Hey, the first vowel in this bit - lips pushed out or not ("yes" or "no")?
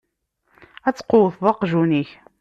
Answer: no